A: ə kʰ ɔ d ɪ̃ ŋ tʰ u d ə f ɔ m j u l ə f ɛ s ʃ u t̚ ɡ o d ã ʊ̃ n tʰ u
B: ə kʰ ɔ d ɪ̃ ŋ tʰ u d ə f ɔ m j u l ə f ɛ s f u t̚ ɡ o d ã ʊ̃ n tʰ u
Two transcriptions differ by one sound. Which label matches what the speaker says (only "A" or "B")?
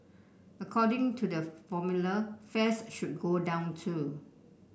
A